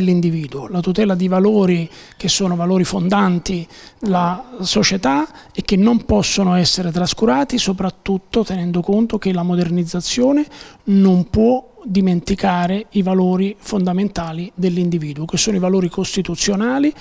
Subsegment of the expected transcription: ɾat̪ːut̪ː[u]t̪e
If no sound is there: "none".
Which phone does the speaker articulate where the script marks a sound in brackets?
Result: o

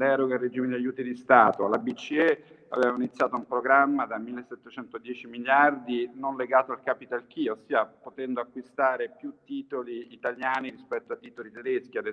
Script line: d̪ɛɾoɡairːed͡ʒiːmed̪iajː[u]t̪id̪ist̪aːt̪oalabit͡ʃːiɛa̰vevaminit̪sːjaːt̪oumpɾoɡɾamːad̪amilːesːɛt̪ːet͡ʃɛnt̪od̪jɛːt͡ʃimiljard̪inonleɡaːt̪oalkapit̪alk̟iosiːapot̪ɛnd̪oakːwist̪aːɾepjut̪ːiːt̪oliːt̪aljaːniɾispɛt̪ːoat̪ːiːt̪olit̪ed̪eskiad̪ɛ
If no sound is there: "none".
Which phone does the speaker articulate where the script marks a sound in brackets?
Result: uː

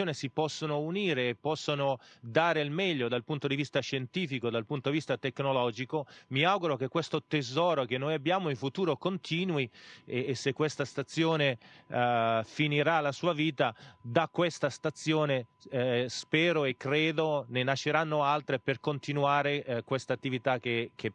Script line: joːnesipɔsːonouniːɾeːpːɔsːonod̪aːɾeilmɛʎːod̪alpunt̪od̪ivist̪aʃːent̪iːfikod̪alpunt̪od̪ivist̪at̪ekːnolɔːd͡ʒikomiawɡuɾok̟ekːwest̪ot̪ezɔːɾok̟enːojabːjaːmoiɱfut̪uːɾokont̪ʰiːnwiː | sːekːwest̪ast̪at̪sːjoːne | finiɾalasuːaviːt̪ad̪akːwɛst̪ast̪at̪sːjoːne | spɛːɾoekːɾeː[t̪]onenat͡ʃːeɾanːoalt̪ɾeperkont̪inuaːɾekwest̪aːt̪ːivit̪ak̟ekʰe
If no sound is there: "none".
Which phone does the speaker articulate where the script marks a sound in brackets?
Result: d̪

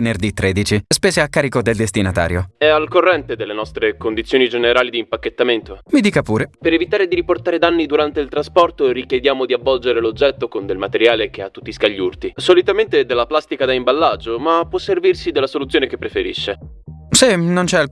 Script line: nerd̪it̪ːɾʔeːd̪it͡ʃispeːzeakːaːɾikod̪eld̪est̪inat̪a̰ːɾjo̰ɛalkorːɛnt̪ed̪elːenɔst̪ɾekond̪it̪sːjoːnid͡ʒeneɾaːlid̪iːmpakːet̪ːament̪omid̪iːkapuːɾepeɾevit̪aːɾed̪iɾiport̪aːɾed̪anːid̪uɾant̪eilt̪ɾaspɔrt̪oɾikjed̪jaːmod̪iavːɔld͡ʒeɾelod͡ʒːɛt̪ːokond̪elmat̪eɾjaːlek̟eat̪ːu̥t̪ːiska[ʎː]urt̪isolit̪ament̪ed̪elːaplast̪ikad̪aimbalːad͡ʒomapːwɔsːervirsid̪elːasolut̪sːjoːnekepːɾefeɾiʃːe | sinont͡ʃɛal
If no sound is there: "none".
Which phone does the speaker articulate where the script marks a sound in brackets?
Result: ʎː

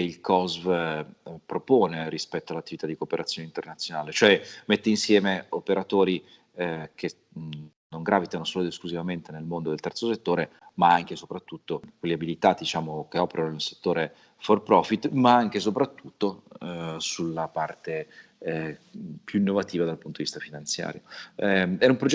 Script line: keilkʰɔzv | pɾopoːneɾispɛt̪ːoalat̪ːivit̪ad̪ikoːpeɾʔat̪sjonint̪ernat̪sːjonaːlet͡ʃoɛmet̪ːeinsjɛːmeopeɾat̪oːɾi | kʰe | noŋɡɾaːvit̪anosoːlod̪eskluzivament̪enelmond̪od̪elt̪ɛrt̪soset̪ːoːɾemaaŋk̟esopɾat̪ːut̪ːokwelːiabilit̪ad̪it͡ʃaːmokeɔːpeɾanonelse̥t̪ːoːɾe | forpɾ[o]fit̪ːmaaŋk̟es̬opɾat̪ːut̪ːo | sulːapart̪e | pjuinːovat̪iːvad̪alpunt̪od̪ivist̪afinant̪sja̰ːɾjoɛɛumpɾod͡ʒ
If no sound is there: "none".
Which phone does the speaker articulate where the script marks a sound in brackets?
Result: ɔ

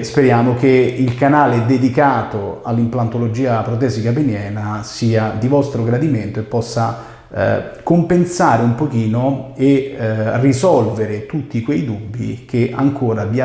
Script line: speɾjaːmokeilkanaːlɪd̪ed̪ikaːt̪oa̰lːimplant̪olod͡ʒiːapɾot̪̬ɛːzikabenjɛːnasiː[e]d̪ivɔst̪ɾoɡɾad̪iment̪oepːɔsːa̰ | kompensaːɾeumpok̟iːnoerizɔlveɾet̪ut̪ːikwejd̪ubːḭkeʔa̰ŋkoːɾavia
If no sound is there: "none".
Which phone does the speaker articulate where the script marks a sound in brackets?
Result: a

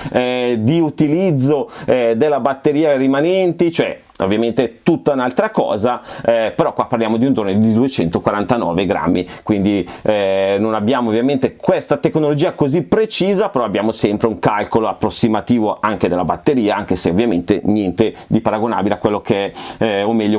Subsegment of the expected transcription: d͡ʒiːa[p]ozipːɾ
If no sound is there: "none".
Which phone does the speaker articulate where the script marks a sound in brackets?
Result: k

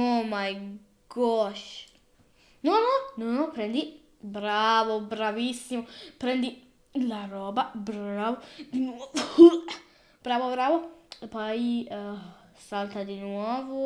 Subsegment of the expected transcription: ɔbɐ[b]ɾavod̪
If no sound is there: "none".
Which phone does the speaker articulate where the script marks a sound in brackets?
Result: b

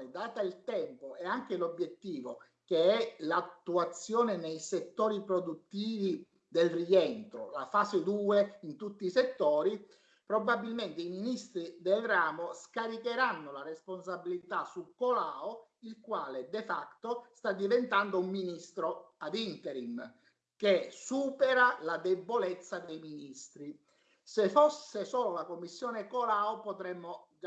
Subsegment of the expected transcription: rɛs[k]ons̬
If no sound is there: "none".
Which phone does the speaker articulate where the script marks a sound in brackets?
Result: p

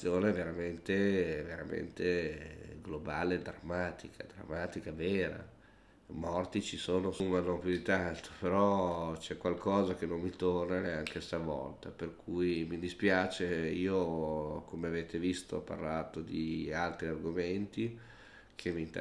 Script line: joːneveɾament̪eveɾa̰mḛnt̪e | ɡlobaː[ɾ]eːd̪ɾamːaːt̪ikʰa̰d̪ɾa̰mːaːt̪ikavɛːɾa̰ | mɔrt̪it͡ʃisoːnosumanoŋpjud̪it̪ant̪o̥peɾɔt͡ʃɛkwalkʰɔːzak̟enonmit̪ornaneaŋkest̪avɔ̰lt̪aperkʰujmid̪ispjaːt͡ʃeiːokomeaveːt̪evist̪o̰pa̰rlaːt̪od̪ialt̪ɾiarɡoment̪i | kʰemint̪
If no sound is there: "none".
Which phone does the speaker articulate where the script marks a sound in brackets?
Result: l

